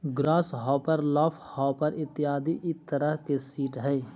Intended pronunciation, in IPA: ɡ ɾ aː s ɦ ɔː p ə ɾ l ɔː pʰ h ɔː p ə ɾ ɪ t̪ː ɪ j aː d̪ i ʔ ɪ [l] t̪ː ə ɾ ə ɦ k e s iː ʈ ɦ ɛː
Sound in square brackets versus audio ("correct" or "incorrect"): incorrect